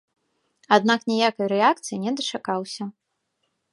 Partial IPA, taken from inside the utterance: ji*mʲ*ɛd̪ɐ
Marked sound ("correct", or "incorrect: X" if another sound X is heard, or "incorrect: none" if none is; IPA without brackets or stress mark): incorrect: nʲ